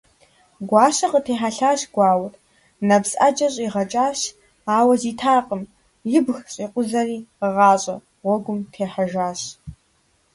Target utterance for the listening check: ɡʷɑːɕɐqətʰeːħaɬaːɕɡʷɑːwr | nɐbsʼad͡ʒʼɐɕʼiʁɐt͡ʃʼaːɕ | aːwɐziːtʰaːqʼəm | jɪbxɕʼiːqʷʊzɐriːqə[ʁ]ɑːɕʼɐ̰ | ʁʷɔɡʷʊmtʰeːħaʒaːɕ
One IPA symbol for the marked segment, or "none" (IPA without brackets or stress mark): ʁ